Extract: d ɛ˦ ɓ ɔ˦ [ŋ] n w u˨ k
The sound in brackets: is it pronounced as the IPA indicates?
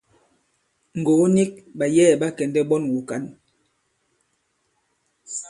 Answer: no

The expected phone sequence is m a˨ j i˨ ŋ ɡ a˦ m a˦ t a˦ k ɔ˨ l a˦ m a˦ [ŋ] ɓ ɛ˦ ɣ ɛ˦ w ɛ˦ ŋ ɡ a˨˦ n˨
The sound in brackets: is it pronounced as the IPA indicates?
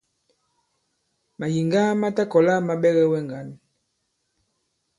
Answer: no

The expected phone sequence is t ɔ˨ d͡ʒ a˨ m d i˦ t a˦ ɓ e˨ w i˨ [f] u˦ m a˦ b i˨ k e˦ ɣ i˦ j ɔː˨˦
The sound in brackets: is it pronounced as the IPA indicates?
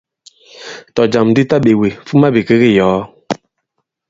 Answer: yes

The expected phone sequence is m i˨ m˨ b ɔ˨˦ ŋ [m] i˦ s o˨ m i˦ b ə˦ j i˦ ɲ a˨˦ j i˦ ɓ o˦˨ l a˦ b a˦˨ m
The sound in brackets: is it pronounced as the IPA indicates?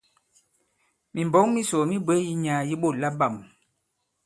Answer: yes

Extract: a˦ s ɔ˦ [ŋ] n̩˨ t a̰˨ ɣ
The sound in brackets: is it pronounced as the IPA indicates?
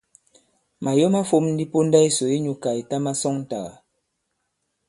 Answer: yes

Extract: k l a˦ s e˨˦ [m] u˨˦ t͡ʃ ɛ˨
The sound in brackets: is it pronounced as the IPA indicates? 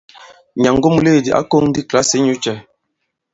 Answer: no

